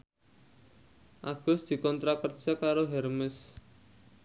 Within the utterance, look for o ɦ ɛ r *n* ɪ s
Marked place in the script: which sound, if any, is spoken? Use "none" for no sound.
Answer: m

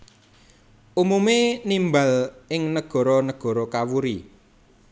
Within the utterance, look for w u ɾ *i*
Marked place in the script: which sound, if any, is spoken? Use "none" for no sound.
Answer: i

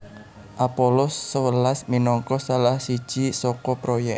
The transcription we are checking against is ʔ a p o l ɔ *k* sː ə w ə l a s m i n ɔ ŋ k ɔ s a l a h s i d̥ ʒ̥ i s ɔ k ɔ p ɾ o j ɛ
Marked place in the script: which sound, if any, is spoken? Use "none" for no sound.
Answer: none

